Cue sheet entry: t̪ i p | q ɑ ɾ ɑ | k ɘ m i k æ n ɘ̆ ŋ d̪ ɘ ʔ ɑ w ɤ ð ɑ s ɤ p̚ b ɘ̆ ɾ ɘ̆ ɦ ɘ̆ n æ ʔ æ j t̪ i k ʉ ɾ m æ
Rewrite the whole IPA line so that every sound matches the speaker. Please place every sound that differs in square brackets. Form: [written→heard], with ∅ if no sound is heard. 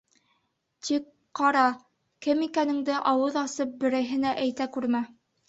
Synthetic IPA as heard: t̪ i [p→k] | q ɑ ɾ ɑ | k ɘ m i k æ n ɘ̆ ŋ d̪ ɘ ʔ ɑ w ɤ ð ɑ s ɤ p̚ b ɘ̆ ɾ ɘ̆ ɦ ɘ̆ n æ ʔ æ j t̪ [i→æ] k ʉ ɾ m æ